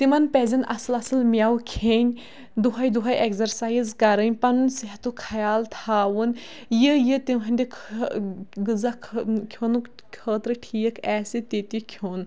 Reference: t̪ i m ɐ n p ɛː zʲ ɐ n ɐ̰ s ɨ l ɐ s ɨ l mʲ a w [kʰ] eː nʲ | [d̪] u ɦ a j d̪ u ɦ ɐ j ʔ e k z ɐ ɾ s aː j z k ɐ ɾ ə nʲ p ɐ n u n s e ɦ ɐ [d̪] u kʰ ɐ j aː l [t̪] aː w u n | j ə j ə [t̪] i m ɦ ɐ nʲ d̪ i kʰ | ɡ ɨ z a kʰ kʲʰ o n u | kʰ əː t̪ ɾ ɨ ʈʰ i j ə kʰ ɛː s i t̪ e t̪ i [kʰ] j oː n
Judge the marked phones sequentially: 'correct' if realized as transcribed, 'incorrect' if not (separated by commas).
correct, correct, incorrect, incorrect, correct, correct